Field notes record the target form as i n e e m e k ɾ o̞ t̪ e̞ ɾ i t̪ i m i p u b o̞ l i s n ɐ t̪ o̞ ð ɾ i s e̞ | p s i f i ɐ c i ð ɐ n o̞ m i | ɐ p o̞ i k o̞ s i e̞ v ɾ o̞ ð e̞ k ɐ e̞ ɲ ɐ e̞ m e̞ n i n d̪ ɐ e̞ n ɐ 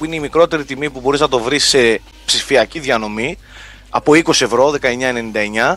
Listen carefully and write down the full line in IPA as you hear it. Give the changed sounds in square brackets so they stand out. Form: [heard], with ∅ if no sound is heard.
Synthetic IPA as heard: i n e [i] m [i] k ɾ o̞ t̪ e̞ ɾ i t̪ i m i p u b o̞ [ɾ] i [z] n ɐ t̪ o̞ [v] ɾ i s e̞ | p s i f i ɐ c i ð ɐ n o̞ m i | ɐ p o̞ i k o̞ s i e̞ v ɾ o̞ ð e̞ k ɐ e̞ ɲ ɐ e̞ [n] e̞ n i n d̪ ɐ e̞ [ɲ] ɐ